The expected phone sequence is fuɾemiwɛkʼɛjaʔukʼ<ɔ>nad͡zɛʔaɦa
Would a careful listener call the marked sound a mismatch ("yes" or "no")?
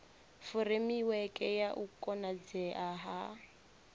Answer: no